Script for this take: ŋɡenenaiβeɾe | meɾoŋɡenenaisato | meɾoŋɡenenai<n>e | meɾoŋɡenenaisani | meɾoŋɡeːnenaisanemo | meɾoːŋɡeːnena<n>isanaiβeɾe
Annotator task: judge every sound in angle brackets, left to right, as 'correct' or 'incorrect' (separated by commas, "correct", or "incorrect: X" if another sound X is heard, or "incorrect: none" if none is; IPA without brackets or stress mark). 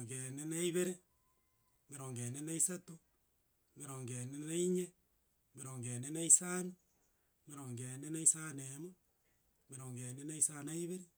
incorrect: ɲ, incorrect: none